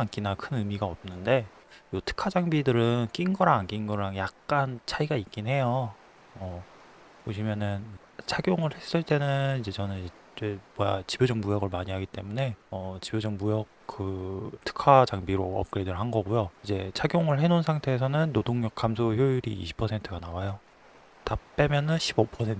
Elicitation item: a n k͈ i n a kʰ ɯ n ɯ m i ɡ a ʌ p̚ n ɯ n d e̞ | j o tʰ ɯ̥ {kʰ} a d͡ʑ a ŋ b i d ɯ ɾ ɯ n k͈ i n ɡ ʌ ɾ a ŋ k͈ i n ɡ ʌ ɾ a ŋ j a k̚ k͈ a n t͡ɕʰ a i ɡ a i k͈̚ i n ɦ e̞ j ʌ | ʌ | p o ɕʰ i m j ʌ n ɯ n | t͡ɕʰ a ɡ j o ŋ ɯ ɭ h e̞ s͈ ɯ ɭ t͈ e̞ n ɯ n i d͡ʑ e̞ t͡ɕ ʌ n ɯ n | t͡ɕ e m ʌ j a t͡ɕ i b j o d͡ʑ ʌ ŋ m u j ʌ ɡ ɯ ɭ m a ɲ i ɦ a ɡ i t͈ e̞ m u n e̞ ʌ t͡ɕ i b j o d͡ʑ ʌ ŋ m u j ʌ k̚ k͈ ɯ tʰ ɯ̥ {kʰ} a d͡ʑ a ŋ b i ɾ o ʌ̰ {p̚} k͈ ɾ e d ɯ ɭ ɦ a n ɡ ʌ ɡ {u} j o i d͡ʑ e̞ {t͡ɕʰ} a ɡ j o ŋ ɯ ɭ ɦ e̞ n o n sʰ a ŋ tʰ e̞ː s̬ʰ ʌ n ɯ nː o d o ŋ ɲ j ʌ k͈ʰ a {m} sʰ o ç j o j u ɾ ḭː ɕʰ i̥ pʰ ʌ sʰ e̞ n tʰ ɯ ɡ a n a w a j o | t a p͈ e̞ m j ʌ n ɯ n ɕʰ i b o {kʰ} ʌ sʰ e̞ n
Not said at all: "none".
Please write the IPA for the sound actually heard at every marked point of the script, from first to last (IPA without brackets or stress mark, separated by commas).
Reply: kʰ, kʰ, p̚, u, t͡ɕʰ, m, pʰ